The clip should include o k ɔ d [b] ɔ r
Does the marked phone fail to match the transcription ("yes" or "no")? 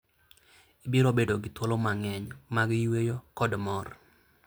yes